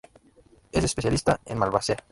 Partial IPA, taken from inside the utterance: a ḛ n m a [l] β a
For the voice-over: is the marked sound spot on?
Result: yes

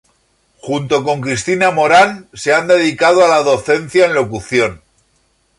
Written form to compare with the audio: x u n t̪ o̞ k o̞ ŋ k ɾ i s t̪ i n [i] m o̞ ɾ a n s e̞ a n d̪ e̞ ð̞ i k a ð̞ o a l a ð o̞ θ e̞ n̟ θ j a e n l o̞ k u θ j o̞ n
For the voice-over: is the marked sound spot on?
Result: no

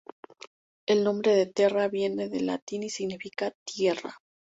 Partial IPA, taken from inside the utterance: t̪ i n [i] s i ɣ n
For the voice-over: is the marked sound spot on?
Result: yes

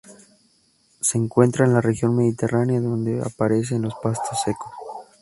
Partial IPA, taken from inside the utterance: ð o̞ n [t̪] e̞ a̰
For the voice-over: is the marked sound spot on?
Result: no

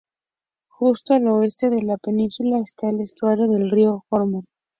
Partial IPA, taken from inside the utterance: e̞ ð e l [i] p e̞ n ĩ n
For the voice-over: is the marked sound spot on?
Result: no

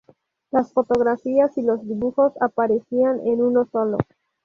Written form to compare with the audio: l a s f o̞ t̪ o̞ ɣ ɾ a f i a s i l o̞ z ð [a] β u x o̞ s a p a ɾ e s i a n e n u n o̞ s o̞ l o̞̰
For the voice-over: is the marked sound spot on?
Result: no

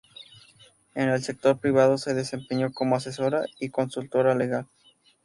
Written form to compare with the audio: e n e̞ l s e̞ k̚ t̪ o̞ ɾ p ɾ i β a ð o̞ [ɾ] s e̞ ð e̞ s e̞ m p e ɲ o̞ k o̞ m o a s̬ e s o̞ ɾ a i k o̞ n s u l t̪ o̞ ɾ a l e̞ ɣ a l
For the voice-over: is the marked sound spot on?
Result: no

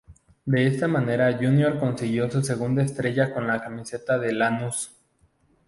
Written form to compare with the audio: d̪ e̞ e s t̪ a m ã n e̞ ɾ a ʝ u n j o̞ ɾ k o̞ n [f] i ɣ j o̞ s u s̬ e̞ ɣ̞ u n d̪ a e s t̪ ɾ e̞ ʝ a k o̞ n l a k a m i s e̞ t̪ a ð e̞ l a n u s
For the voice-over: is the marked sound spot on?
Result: no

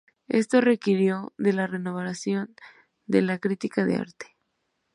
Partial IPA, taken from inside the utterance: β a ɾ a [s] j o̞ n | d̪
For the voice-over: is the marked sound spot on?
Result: yes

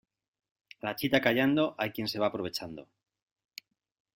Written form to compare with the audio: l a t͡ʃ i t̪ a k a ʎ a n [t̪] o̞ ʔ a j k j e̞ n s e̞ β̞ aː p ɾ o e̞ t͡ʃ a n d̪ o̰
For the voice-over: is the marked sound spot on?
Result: no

